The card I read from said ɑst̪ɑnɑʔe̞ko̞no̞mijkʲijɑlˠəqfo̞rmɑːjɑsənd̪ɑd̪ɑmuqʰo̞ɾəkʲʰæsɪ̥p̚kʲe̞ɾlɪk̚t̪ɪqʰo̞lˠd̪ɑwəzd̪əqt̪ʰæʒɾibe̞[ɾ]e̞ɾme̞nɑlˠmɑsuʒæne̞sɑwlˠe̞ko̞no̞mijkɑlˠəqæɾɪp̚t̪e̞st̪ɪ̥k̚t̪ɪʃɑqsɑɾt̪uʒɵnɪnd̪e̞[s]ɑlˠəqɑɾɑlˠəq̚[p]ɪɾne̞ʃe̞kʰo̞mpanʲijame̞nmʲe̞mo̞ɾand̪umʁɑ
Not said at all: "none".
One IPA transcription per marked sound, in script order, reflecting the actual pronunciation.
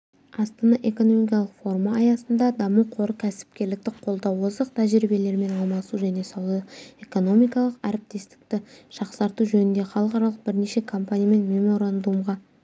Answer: l, χ, b

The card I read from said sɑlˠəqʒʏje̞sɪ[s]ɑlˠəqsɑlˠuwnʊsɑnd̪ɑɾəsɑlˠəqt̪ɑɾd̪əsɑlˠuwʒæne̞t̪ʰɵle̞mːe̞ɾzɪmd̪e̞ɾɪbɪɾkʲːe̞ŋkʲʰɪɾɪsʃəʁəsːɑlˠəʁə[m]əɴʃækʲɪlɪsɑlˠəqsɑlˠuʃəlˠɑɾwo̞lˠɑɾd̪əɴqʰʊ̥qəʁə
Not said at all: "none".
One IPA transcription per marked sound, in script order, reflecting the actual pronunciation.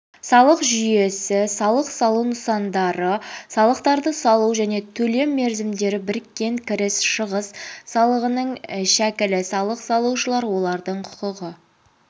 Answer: s, n

